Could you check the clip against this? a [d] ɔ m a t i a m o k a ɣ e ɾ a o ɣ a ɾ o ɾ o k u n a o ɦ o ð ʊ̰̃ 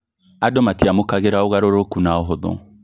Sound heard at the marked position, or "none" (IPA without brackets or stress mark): d